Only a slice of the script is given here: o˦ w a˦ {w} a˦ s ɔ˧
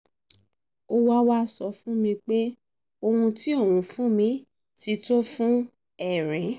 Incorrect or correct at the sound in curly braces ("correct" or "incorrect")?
correct